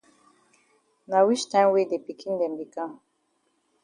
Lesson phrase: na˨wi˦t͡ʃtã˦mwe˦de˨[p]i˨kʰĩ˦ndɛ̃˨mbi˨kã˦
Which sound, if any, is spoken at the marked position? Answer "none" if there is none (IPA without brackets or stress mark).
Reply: p